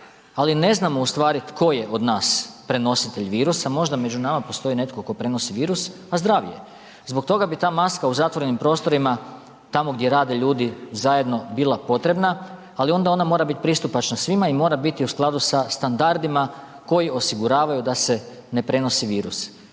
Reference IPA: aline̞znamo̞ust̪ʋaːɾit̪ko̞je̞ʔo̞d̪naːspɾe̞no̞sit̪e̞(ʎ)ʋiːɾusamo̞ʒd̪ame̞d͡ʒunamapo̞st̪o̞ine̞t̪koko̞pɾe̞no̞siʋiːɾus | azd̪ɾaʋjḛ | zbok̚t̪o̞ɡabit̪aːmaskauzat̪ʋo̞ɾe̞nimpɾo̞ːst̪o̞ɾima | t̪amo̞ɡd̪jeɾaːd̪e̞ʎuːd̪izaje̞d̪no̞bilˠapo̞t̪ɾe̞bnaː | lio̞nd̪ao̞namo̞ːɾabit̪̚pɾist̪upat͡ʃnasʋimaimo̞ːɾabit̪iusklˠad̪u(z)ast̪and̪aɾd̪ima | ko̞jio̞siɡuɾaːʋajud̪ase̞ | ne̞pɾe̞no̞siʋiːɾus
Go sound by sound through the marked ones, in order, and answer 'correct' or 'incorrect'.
correct, incorrect

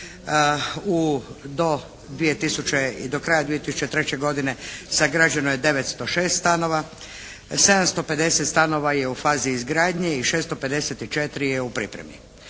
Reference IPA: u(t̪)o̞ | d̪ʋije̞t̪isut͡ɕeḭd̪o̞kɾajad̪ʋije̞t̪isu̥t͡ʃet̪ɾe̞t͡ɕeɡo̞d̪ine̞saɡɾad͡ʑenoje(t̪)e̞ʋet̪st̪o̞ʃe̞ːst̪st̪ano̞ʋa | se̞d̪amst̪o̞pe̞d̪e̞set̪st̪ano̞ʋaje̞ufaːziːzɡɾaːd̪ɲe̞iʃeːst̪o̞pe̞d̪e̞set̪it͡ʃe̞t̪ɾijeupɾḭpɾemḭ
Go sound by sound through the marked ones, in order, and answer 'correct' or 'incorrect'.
incorrect, incorrect

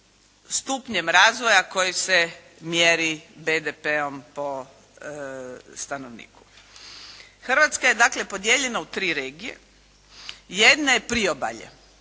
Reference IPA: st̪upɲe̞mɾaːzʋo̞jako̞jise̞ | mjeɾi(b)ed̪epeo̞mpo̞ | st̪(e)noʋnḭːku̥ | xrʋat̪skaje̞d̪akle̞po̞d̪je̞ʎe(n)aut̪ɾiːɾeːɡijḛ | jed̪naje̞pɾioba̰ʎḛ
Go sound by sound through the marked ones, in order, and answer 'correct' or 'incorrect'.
correct, incorrect, correct

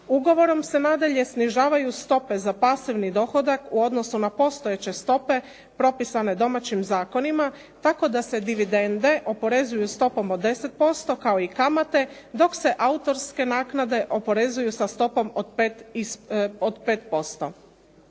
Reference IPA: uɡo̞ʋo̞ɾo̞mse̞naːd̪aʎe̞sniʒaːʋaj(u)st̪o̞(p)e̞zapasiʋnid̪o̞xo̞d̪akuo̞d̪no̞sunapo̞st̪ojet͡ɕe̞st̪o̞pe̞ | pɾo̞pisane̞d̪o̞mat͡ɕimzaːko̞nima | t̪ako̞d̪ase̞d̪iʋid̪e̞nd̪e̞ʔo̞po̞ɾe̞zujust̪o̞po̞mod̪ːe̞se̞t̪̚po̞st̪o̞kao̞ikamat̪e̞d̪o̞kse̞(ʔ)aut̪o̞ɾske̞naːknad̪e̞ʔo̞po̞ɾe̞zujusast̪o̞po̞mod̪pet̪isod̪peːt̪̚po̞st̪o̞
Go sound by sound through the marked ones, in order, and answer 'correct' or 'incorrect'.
correct, correct, correct

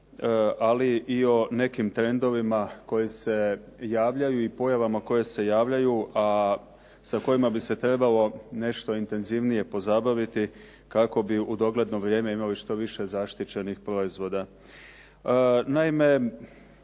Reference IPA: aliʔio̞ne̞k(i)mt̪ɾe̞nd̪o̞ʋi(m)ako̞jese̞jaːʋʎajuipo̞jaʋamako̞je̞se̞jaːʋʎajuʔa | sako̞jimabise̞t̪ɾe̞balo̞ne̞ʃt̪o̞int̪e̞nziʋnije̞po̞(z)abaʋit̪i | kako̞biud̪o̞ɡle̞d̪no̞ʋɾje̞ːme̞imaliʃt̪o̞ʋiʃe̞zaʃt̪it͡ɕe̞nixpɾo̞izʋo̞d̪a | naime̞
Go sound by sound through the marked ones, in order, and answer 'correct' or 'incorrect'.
correct, correct, correct

